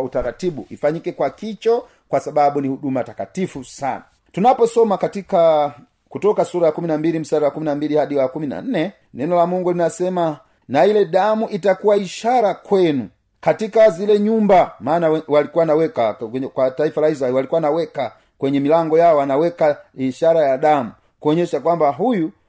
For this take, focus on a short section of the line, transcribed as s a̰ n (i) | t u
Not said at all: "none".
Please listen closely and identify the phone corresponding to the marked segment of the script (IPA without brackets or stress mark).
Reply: a